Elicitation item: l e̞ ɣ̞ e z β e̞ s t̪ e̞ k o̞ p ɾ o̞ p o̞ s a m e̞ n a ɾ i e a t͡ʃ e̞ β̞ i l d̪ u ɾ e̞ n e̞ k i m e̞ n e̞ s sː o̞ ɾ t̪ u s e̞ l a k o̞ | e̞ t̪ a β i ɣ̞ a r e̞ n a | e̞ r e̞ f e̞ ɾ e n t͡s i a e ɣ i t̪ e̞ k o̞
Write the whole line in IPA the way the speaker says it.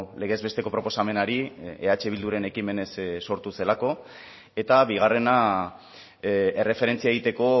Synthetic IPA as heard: l e̞ ɣ̞ e z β e̞ s t̪ e̞ k o̞ p ɾ o̞ p o̞ s a m e̞ n a ɾ i e a t͡ʃ e̞ β̞ i l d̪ u ɾ e̞ n e̞ k i m e̞ n e̞ s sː o̞ ɾ t̪ u s e̞ l a k o̞ | e̞ t̪ a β i ɣ̞ a r e̞ n a | e̞ r e̞ f e̞ ɾ e n t͡s i a e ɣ i t̪ e̞ k o̞